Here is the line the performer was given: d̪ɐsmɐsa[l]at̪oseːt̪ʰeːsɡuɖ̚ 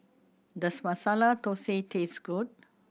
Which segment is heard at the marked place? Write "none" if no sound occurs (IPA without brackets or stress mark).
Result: l